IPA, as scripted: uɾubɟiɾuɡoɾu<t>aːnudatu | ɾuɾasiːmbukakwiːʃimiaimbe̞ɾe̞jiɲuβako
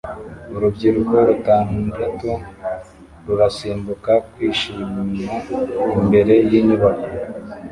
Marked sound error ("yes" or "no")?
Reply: no